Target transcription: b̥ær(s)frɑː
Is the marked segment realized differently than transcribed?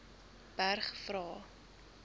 yes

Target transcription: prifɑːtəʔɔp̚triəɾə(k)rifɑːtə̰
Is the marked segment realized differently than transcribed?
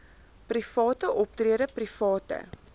yes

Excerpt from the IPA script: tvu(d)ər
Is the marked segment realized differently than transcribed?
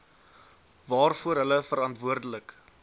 yes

